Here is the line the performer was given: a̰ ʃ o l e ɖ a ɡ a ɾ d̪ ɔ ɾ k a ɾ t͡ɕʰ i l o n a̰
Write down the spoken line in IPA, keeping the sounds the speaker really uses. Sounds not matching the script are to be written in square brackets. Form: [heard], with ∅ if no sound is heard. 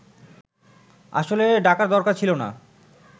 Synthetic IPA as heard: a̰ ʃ o l e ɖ a [k] a ɾ d̪ ɔ ɾ k a ɾ t͡ɕʰ i l o n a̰